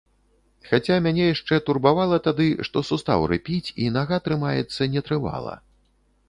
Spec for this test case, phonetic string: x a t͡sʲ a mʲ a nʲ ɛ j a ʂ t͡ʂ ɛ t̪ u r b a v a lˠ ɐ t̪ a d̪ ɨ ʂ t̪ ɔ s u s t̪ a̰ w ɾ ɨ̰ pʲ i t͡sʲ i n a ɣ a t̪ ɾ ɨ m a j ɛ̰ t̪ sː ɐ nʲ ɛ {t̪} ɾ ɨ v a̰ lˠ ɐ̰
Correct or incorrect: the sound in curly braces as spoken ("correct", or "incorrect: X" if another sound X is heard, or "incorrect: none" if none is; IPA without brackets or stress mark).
correct